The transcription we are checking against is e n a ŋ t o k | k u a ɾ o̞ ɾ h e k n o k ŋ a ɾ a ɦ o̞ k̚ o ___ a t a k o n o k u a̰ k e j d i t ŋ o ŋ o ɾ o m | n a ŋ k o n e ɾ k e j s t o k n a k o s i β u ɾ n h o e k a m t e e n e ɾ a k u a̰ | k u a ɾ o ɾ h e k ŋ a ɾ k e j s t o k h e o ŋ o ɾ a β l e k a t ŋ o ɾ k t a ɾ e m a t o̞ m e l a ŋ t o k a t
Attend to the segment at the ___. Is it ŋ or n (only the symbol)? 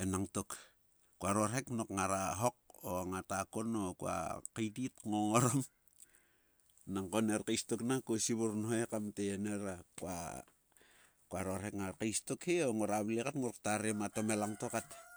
ŋ